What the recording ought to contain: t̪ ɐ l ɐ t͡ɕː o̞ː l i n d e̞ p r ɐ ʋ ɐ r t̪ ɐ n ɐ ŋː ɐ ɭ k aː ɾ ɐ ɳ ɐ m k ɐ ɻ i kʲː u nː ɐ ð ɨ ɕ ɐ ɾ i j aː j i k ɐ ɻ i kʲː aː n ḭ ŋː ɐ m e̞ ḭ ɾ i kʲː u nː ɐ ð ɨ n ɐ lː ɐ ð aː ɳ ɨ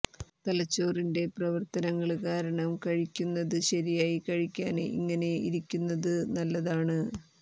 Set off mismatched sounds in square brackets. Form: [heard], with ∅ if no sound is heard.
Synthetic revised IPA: t̪ ɐ l ɐ t͡ɕː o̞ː [r] i n d e̞ p r ɐ ʋ ɐ r t̪ ɐ n ɐ ŋː ɐ ɭ k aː ɾ ɐ ɳ ɐ m k ɐ ɻ i kʲː u nː ɐ ð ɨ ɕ ɐ ɾ i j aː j i k ɐ ɻ i kʲː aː n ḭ ŋː ɐ [n] e̞ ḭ ɾ i kʲː u nː ɐ ð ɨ n ɐ lː ɐ ð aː ɳ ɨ